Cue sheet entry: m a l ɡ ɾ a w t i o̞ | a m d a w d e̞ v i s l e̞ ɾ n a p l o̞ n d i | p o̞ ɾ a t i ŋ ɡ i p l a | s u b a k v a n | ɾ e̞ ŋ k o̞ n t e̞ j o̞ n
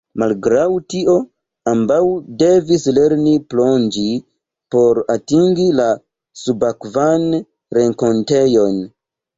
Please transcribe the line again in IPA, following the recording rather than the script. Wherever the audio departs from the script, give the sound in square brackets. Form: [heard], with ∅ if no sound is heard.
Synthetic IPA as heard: m a l ɡ ɾ a w t i o̞ | a m [b] a w d e̞ v i s l e̞ ɾ n [i] p l o̞ n [d͡ʒ] i | p o̞ ɾ a t i ŋ ɡ i [∅] l a | s u b a k v a n | ɾ e̞ ŋ k o̞ n t e̞ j o̞ n